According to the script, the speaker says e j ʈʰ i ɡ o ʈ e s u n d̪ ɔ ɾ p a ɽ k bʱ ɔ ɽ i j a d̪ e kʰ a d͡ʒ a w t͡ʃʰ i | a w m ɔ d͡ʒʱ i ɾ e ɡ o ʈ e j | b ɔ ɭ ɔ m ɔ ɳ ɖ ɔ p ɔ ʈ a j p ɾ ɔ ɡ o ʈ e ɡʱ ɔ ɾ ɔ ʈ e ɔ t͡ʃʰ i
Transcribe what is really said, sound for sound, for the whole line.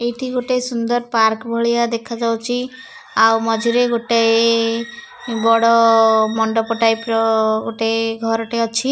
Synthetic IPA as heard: e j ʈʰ i ɡ o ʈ e s u n d̪ ɔ ɾ p a ɾ k bʱ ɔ ɭ i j a d̪ e kʰ a d͡ʒ a w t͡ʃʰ i | a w m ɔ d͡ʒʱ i ɾ e ɡ o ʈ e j | b ɔ ɽ ɔ m ɔ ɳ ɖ ɔ p ɔ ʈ a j p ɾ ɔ ɡ o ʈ e ɡʱ ɔ ɾ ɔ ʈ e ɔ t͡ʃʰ i